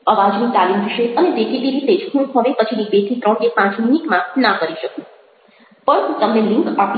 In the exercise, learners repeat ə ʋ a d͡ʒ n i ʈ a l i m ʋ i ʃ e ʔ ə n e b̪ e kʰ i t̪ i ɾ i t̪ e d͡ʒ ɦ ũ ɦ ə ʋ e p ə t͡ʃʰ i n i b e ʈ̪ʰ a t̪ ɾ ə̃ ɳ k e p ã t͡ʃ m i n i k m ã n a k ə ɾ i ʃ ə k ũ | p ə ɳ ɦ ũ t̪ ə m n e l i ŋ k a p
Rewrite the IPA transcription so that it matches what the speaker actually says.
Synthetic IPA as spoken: ə ʋ a d͡ʒ n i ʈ a l i m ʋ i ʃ e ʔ ə n e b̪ e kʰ i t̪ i ɾ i t̪ e d͡ʒ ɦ ũ ɦ ə ʋ e p ə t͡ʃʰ i n i b e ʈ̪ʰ i t̪ ɾ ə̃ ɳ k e p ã t͡ʃ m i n i k m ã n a k ə ɾ i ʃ ə k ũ | p ə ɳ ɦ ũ t̪ ə m n e l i ŋ k a p